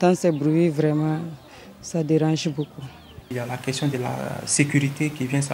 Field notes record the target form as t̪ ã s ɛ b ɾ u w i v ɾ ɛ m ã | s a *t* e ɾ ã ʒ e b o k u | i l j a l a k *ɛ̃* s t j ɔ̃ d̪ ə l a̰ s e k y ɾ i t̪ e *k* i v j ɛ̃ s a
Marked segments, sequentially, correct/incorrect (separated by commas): incorrect, incorrect, correct